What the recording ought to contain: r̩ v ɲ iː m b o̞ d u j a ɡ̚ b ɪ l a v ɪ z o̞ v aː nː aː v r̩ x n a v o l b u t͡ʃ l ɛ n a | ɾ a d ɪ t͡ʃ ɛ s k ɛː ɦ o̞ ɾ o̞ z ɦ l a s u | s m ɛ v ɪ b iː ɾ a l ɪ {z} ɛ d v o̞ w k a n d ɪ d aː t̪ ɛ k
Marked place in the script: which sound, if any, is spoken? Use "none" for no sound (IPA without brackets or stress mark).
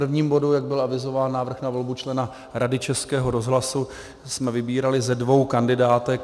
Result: z